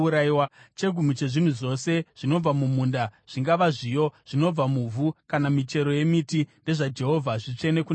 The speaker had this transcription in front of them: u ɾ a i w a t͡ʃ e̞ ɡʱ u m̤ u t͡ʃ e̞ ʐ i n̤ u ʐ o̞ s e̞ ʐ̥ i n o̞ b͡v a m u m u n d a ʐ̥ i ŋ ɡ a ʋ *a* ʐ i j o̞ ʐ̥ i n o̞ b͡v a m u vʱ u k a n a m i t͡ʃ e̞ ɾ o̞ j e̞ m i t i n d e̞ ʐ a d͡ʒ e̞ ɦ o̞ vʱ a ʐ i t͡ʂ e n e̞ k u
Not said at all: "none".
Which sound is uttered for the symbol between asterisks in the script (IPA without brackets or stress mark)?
a